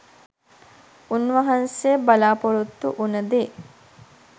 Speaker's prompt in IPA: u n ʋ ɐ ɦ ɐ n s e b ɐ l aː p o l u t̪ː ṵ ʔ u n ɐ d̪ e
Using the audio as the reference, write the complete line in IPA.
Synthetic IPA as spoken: u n ʋ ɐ ɦ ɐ n s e b ɐ l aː p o ɾ u t̪ː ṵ ʔ u n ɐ d̪ e